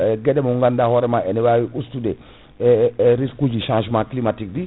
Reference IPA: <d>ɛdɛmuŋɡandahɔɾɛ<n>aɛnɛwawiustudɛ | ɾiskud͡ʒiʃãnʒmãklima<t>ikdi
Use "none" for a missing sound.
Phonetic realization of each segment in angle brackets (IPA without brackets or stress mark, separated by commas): ɡ, m, t